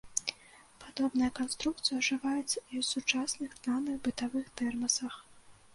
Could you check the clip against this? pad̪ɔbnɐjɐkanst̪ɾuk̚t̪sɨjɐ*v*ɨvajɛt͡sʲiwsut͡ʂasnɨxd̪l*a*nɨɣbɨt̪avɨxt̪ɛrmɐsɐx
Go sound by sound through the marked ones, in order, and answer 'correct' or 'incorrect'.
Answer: incorrect: ʐ, correct

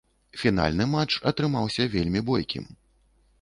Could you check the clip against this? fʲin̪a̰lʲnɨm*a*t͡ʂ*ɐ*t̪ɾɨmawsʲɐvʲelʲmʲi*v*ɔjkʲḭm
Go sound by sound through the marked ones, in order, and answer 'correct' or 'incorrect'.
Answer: correct, correct, incorrect: b

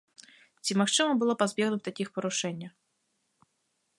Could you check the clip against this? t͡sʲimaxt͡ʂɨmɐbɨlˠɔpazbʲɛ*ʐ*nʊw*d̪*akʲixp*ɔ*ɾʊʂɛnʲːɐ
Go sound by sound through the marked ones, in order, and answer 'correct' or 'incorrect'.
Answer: incorrect: ɣ, incorrect: t̪, correct

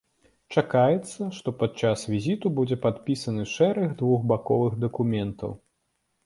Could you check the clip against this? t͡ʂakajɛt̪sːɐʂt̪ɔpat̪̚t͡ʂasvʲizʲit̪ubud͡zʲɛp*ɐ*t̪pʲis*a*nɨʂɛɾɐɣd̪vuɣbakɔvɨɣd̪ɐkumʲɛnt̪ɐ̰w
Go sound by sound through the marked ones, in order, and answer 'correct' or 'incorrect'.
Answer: incorrect: a, incorrect: ɐ

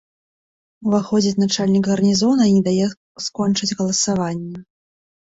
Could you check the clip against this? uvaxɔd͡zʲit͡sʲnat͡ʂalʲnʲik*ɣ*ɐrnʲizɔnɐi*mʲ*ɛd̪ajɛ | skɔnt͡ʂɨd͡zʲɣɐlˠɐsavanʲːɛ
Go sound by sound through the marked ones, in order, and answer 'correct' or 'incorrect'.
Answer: correct, incorrect: nʲ

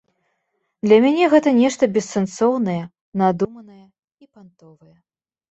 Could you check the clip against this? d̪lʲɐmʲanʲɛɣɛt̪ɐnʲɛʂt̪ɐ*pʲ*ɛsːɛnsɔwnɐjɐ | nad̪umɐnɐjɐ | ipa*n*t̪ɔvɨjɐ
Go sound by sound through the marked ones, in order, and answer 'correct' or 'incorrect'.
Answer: incorrect: bʲ, correct

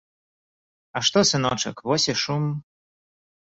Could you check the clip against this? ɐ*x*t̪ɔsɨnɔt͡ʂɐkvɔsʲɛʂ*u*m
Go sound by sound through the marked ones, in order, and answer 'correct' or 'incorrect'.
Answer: incorrect: ʂ, correct

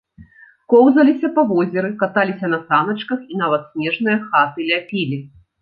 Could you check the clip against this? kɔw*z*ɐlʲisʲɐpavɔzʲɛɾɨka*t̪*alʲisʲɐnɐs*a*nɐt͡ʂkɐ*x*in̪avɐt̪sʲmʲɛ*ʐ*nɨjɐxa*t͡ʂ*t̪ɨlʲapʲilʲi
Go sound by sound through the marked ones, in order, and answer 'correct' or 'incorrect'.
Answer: correct, correct, correct, correct, correct, incorrect: none

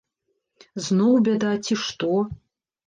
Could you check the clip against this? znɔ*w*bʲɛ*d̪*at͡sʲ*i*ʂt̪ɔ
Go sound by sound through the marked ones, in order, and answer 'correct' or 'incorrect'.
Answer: correct, correct, correct

